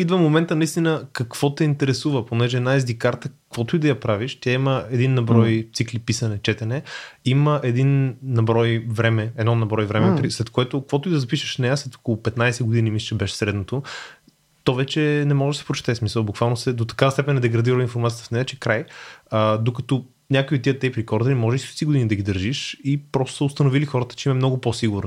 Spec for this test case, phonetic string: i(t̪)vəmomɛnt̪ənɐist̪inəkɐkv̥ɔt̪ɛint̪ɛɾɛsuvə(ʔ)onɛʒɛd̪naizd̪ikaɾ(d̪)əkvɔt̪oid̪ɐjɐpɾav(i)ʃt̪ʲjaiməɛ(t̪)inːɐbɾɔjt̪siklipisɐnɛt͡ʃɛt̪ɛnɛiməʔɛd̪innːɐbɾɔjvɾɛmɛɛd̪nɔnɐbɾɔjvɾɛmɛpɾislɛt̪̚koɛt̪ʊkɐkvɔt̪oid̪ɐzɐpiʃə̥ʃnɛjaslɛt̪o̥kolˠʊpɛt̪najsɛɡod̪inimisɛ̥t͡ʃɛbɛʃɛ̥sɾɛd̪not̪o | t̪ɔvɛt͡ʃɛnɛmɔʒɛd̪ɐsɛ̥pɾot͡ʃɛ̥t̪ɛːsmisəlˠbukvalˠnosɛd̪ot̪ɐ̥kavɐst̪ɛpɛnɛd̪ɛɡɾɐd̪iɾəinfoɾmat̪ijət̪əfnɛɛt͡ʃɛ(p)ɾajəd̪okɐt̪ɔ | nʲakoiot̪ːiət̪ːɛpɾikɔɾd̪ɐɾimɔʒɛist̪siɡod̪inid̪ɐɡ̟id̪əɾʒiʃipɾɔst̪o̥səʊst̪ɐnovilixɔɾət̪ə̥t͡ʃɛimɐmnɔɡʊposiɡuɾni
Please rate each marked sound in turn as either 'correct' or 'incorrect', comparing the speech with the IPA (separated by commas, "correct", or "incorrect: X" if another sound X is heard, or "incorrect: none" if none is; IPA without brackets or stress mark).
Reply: incorrect: d̪, incorrect: p, incorrect: t̪, correct, incorrect: d̪, incorrect: k